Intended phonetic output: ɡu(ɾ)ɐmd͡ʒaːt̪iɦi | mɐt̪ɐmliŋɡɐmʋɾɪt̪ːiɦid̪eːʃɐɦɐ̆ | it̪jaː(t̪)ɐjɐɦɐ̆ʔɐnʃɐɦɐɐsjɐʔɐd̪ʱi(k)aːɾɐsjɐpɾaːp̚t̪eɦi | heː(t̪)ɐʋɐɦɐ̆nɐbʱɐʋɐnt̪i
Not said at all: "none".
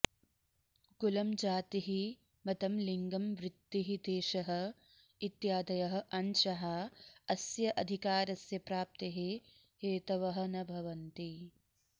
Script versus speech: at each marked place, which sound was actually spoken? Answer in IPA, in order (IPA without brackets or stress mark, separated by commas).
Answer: l, d̪, k, t̪